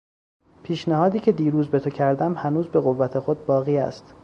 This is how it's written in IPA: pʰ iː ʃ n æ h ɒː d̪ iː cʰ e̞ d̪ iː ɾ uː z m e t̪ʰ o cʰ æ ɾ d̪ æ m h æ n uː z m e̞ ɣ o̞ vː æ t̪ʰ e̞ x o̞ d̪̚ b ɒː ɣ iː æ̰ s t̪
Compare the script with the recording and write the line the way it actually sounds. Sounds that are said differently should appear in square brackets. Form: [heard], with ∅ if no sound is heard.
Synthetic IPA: pʰ iː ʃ n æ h ɒː d̪ iː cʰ e̞ d̪ iː ɾ uː z [b] e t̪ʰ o cʰ æ ɾ d̪ æ m h æ n uː z [b] e̞ ɣ o̞ vː æ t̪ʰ e̞ x o̞ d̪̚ b ɒː ɣ iː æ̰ s t̪